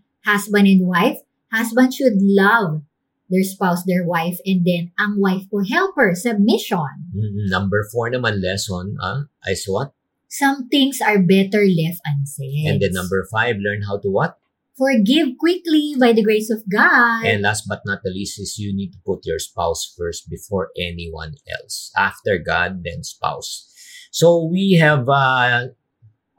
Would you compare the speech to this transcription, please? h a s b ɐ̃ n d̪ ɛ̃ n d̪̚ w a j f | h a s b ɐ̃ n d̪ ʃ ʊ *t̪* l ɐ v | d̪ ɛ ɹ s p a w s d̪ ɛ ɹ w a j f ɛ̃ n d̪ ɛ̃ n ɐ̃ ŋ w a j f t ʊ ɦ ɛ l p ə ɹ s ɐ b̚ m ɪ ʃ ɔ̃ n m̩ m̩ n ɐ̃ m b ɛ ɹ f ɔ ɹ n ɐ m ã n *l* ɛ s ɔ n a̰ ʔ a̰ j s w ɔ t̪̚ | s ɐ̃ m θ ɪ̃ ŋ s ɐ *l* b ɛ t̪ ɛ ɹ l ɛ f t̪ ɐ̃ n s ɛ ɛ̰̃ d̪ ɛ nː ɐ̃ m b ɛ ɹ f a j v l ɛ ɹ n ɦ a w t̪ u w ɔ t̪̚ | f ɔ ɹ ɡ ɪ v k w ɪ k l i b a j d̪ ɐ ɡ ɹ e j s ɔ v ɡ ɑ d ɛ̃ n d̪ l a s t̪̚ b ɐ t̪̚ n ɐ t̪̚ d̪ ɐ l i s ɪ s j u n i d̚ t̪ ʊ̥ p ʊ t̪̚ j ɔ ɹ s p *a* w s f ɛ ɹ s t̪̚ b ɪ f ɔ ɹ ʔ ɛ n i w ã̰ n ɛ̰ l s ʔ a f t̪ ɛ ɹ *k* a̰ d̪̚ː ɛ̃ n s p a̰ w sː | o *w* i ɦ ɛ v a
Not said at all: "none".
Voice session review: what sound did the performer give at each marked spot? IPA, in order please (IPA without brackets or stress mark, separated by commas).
d̪, l, ɹ, a, ɡ, w